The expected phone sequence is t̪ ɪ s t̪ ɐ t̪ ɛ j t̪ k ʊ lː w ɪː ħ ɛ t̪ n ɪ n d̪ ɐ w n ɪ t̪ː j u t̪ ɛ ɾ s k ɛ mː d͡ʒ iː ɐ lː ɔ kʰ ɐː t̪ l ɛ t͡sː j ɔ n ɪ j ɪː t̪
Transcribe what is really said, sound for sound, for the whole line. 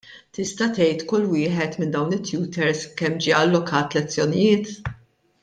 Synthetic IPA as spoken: t̪ ɪ s t̪ ɐ t̪ ɛ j t̪ k ʊ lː w ɪː ħ ɛ t̪ m ɪ n d̪ ɐ w n ɪ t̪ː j uː t̪ ɛ ɾ s k ɛ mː d͡ʒ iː ɐ lː ɔ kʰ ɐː t̪ l ɛ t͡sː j ɔ n ɪ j ɪː t̪